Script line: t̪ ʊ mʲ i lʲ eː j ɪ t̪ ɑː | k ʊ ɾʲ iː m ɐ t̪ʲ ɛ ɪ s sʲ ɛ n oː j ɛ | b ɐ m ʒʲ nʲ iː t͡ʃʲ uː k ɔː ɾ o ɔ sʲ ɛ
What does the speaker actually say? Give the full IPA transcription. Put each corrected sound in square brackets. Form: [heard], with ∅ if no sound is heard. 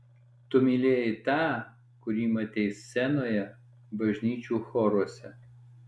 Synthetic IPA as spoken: t̪ ʊ mʲ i lʲ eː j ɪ t̪ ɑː | k ʊ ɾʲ iː m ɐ t̪ʲ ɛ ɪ s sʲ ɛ n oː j ɛ | b ɐ [∅] ʒʲ nʲ iː t͡ʃʲ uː [x] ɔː ɾ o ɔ sʲ ɛ